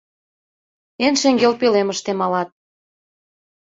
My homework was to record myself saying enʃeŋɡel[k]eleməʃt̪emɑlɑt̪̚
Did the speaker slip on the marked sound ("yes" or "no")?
yes